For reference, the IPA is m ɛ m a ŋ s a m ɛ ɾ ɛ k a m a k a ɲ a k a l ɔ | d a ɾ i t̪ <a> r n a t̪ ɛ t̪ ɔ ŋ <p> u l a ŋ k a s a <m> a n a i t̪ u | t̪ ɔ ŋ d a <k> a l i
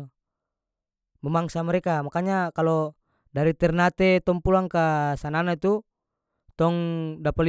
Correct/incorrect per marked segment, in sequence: incorrect: ɛ, correct, incorrect: n, incorrect: p

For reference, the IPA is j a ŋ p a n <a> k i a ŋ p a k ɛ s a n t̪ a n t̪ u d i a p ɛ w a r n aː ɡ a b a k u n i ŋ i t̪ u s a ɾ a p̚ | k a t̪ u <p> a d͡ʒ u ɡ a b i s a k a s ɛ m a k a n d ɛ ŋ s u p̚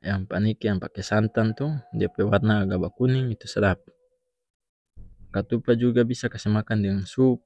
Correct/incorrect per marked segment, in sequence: incorrect: i, correct

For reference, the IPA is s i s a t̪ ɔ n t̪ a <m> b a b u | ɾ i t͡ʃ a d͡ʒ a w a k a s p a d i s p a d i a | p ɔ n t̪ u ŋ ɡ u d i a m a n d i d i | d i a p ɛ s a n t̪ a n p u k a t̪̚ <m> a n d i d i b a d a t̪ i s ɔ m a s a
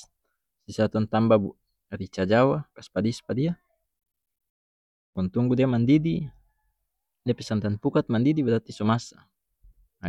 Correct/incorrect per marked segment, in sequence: correct, correct

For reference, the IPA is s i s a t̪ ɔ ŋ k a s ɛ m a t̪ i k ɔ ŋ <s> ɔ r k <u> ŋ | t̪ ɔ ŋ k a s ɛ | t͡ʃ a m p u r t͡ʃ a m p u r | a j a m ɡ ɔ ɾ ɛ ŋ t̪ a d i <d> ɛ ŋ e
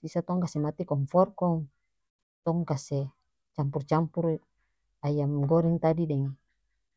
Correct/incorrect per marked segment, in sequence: incorrect: f, incorrect: ɔ, correct

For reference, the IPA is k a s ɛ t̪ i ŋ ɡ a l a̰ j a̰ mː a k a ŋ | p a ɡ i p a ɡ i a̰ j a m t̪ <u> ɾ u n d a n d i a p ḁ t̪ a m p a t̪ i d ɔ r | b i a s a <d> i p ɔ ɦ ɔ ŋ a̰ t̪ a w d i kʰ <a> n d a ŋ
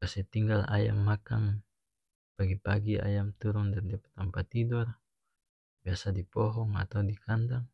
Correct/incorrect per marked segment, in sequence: correct, correct, correct

